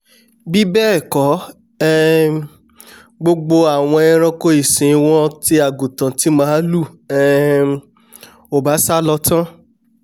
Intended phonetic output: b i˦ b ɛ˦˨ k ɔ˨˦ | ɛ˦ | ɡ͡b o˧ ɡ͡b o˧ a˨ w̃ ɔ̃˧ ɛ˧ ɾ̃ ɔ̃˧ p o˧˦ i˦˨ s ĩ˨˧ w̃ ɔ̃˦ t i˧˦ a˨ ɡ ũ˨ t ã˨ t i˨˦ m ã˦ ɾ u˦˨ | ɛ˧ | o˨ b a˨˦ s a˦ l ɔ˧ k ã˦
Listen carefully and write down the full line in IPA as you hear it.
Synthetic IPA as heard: b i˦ b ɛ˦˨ k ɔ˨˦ | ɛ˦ | ɡ͡b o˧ ɡ͡b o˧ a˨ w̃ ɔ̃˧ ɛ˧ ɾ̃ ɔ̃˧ k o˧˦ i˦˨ s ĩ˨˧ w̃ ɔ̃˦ t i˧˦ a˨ ɡ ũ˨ t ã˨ t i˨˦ m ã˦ l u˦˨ | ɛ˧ | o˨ b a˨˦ s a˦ l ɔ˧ t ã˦